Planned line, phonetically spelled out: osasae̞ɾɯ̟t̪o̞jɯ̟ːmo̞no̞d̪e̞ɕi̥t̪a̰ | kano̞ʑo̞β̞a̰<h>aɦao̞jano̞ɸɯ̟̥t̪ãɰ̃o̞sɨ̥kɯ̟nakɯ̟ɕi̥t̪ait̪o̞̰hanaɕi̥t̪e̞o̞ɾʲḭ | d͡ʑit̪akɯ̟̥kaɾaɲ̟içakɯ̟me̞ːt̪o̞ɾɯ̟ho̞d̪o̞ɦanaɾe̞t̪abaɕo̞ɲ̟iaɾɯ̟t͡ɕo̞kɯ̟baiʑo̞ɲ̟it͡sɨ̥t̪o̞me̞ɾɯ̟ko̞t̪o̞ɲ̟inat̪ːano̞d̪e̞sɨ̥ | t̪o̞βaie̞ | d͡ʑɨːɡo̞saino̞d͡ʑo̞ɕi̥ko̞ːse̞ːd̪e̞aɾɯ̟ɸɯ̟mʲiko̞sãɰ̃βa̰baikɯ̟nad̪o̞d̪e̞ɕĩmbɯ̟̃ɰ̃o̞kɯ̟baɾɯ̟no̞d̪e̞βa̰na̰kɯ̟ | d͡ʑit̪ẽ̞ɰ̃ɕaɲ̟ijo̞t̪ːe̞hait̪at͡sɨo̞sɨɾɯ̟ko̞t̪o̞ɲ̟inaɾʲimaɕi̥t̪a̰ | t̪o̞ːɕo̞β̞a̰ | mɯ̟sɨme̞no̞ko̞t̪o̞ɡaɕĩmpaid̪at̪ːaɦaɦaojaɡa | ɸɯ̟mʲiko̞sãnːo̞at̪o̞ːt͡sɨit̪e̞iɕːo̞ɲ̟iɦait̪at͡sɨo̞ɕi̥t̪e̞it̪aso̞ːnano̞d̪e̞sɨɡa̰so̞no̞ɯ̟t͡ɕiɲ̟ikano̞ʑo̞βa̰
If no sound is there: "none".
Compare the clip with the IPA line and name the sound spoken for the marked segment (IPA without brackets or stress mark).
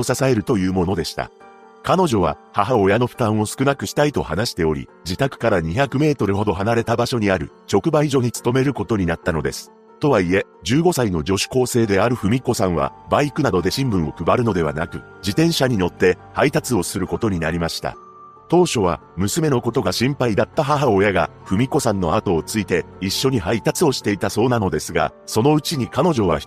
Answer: h